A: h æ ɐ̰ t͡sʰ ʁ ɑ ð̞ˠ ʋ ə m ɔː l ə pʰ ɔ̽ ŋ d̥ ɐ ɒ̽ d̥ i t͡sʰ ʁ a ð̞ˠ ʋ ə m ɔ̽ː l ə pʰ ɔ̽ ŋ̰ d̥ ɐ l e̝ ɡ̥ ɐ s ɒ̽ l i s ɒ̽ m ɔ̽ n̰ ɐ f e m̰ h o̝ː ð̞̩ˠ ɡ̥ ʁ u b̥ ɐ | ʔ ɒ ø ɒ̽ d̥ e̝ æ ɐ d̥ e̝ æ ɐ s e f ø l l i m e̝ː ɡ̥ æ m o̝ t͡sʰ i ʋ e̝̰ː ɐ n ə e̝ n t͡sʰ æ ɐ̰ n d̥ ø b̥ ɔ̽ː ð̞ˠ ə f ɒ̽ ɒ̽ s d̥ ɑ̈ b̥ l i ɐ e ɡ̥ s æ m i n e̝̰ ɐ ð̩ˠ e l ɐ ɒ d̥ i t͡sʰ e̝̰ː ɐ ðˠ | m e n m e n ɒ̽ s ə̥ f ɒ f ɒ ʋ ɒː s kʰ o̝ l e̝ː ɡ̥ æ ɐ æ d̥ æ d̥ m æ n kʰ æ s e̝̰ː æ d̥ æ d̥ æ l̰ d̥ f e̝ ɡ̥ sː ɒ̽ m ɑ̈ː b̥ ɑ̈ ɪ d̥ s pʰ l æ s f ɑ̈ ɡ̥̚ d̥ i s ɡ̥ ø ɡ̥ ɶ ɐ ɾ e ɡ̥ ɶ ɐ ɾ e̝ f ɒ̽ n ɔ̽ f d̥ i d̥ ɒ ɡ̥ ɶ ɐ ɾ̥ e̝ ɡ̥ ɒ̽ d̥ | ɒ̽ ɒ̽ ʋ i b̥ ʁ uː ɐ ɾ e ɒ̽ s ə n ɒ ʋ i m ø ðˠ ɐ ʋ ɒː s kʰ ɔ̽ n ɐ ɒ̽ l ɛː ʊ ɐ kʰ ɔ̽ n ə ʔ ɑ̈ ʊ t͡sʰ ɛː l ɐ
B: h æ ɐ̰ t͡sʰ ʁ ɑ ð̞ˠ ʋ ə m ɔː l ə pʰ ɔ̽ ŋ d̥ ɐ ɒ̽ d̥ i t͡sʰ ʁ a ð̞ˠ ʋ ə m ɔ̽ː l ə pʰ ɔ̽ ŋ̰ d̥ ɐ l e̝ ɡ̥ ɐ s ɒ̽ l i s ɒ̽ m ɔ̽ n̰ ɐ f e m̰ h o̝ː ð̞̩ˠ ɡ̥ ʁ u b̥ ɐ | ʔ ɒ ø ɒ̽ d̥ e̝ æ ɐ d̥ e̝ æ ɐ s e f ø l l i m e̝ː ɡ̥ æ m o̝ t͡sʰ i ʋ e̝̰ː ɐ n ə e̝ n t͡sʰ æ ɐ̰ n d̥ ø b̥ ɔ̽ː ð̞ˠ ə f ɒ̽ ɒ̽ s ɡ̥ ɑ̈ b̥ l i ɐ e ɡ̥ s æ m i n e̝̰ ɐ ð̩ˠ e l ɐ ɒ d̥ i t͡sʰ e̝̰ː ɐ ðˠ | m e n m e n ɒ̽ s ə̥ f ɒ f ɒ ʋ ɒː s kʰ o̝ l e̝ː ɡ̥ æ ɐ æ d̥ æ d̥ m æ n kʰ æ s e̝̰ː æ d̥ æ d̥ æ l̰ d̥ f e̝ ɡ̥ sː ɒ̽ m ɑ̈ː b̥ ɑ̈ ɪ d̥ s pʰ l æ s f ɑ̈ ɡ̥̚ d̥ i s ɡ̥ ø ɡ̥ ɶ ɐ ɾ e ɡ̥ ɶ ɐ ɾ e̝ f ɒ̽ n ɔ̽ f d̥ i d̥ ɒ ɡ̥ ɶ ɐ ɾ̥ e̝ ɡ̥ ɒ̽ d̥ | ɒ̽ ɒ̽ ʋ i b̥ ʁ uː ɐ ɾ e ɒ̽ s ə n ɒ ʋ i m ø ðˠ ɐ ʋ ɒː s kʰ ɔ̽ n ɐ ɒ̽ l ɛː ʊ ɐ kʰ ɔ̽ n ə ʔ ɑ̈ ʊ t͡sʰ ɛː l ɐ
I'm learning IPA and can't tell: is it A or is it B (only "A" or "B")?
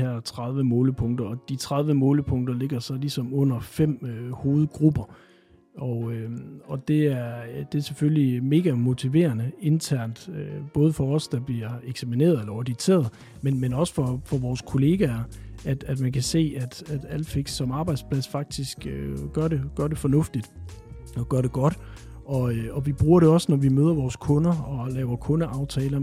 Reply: A